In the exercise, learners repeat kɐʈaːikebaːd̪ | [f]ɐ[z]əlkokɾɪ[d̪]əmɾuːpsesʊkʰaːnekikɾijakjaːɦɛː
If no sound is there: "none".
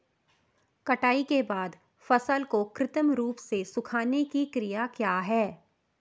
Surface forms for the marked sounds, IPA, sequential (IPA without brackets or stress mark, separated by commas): f, s, t̪